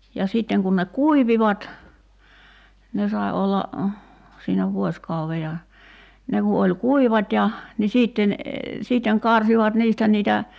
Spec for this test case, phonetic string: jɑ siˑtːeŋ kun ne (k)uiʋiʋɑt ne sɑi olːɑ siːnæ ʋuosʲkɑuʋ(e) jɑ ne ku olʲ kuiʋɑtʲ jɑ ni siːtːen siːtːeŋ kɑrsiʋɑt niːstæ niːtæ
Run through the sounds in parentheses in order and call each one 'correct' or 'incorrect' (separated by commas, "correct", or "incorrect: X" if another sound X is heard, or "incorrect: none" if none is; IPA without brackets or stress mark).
correct, correct